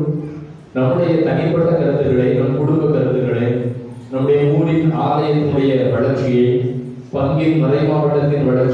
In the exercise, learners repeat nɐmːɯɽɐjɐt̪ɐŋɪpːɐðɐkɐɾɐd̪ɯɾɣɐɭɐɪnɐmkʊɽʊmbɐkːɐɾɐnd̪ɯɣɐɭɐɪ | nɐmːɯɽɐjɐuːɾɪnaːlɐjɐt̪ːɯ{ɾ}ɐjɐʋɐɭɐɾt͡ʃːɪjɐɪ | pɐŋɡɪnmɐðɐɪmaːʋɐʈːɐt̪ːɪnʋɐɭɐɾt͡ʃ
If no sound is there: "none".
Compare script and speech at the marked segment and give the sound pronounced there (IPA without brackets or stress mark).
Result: ɽ